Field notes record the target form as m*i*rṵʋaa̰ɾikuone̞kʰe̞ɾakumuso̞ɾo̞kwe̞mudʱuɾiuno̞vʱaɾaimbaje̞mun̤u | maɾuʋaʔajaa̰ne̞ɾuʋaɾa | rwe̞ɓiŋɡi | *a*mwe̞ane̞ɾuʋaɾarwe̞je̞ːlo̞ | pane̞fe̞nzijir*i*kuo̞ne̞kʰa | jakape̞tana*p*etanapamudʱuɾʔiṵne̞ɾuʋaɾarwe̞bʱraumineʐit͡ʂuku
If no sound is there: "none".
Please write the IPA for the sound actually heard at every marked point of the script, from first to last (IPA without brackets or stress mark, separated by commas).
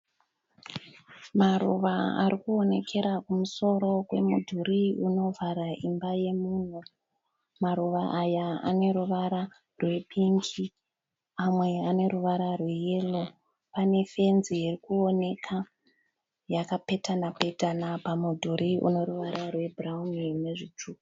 a, a, i, p